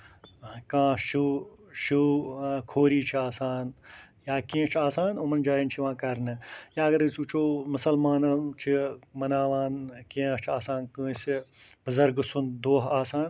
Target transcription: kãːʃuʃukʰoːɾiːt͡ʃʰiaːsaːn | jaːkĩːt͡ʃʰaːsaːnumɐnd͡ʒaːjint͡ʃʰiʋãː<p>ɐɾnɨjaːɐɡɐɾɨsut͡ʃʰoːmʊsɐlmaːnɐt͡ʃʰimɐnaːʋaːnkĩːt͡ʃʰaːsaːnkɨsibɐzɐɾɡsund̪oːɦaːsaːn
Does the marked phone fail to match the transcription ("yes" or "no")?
yes